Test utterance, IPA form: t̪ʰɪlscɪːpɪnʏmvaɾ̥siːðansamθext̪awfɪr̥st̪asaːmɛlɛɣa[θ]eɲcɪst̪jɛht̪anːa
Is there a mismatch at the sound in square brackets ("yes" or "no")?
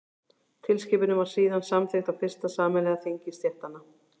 no